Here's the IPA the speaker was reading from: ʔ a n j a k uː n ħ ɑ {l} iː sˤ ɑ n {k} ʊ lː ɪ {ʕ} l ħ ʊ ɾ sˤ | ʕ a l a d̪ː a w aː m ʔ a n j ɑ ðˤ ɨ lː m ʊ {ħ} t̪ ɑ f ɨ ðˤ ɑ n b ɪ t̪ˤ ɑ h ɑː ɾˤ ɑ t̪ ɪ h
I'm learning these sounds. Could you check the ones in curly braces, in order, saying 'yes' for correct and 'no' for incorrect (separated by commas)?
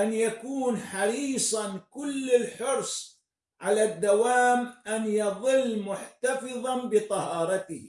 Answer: no, yes, no, yes